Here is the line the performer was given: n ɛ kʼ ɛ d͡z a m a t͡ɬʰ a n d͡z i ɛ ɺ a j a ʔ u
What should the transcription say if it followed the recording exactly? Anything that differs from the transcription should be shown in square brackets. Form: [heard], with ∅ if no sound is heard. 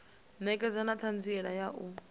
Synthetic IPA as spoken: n ɛ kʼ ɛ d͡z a [n] a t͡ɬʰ a n d͡z i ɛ ɺ a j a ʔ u